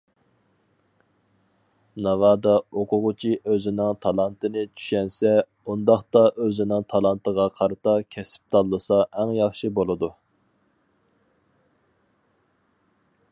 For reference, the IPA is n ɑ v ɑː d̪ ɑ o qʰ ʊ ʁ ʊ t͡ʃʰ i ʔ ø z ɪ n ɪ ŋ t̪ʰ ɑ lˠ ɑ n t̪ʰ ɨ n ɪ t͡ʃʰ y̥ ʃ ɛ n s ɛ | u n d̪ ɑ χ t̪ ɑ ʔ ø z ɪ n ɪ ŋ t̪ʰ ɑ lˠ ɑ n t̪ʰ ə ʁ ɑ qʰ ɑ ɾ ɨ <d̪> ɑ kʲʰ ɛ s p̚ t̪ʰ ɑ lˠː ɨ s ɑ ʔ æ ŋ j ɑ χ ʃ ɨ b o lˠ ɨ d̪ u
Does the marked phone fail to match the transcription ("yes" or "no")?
yes